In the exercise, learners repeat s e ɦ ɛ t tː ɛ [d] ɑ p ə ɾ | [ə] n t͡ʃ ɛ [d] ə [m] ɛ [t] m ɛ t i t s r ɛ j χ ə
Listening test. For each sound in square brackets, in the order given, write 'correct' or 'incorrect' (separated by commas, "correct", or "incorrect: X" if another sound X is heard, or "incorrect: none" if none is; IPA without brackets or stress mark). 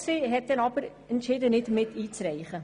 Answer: incorrect: n, correct, correct, incorrect: n, correct